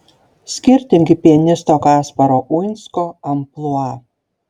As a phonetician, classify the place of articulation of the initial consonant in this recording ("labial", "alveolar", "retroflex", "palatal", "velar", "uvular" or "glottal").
alveolar